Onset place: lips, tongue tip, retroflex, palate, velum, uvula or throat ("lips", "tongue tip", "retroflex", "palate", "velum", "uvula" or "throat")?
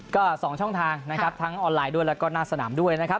velum